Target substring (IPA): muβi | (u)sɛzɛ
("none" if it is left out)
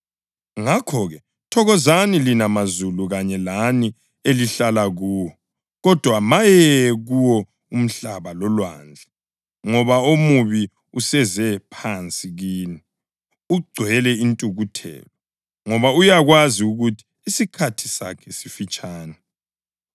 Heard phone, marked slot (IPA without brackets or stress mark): u